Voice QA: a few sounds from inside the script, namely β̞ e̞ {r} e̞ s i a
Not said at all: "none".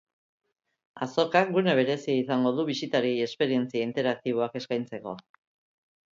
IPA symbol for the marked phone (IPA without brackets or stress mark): ɾ